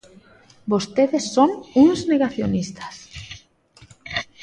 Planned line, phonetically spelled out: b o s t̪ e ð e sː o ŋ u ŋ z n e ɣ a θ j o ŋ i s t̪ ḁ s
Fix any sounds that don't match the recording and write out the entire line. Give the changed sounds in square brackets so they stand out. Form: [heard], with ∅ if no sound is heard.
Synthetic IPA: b o s t̪ e ð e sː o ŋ u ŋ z n e ɣ a θ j o [n] i s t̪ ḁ s